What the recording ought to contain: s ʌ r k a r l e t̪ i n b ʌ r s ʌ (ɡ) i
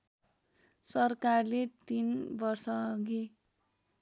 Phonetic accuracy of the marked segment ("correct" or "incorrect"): correct